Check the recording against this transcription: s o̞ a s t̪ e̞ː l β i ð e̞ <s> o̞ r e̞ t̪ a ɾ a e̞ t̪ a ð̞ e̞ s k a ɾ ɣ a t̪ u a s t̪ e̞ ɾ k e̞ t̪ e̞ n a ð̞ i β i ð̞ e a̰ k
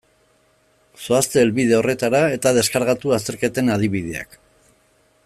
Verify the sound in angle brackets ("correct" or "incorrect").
incorrect